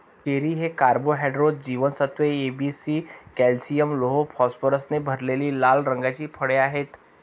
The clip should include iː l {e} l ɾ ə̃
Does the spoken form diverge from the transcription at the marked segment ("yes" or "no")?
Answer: yes